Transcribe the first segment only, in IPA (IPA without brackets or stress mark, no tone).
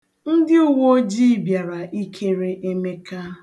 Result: n̩